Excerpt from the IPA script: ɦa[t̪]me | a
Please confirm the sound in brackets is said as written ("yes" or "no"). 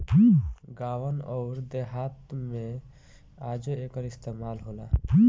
yes